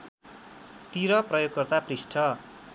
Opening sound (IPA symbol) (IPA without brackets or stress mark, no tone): t̪